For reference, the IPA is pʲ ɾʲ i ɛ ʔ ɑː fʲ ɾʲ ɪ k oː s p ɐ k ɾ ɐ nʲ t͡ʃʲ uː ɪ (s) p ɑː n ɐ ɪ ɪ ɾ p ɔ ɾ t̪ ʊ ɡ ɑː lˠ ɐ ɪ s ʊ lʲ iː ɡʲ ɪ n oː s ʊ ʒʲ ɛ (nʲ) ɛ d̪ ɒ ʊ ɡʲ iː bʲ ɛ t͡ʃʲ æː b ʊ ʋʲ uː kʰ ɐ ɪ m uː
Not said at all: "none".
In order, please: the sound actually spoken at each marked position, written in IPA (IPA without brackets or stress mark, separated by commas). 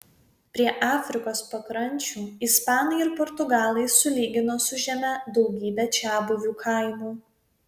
s, mʲ